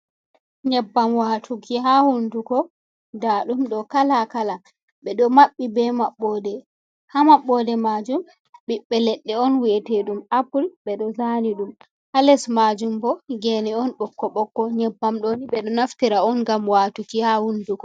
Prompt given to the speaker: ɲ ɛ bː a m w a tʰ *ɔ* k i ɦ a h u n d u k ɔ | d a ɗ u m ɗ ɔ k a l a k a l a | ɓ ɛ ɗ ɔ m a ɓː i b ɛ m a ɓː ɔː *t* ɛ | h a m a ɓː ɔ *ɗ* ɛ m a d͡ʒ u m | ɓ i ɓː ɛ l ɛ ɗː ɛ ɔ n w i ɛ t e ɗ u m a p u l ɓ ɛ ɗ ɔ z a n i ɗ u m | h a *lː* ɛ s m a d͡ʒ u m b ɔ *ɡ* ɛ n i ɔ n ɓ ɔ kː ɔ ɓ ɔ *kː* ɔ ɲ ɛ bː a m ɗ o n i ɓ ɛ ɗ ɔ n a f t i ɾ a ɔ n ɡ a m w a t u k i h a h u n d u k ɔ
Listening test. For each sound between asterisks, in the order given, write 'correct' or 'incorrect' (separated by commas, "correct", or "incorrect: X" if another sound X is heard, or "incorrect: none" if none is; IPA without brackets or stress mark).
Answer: incorrect: u, incorrect: d, incorrect: d, incorrect: l, correct, correct